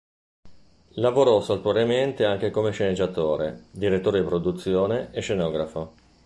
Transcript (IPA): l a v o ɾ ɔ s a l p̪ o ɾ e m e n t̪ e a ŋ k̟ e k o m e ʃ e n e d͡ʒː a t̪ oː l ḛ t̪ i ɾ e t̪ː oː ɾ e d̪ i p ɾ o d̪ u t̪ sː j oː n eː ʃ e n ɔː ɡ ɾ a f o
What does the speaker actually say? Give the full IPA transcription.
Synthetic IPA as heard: l a v o ɾ ɔ s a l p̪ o ɾ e m e n t̪ e a ŋ k̟ e k o m e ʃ e n e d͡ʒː a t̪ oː ɾ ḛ d̪ i ɾ e t̪ː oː ɾ e d̪ i p ɾ o d̪ u t̪ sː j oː n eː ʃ e n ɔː ɡ ɾ a f o